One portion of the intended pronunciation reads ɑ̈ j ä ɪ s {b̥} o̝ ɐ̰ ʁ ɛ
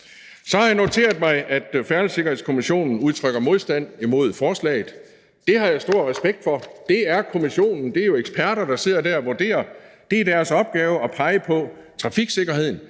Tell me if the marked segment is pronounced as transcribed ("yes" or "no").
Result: no